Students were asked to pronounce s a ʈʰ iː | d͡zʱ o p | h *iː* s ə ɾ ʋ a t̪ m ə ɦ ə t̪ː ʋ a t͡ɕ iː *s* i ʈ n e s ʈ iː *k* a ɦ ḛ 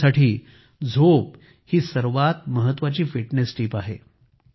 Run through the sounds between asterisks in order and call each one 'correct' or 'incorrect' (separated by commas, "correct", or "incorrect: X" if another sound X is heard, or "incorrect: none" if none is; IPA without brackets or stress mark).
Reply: correct, incorrect: f, incorrect: p